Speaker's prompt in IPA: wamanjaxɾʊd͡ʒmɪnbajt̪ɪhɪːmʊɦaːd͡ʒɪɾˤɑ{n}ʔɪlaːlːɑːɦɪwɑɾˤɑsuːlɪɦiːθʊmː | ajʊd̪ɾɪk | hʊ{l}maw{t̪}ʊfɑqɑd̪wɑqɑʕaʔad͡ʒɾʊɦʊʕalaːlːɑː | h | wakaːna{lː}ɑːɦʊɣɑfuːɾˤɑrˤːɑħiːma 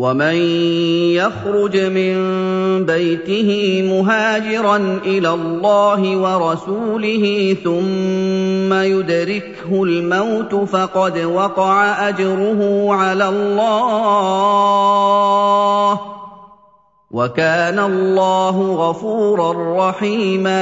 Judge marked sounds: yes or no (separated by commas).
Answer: yes, yes, yes, yes